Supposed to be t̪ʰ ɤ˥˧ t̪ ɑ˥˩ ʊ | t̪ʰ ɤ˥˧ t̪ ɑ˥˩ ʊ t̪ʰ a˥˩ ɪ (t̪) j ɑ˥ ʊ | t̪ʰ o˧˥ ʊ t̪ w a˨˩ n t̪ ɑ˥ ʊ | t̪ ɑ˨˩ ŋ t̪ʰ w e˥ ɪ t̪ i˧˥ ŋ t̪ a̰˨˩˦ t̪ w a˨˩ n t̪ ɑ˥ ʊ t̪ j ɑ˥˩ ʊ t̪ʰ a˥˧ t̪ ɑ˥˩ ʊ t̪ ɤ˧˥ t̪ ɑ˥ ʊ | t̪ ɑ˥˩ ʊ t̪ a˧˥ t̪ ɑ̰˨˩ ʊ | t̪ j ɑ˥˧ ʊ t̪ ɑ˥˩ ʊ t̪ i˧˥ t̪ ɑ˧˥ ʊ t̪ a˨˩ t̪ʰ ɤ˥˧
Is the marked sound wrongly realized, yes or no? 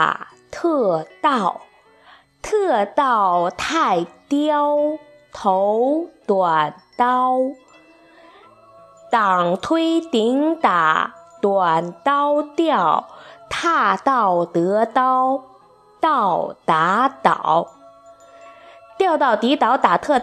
no